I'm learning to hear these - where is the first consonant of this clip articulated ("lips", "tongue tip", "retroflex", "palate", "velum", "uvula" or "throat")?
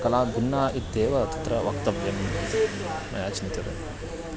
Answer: velum